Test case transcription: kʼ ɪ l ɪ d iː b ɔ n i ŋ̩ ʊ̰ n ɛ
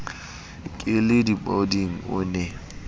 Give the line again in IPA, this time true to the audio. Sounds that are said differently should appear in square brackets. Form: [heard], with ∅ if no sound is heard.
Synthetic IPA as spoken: kʼ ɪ l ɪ d [i] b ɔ [d] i ŋ̩ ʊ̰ n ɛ